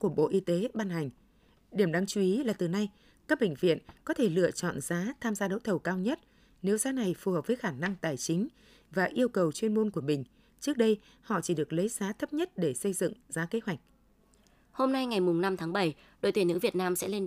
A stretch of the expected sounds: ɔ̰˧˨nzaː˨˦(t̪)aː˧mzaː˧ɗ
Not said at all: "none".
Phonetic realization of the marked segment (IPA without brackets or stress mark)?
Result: t̪ʰ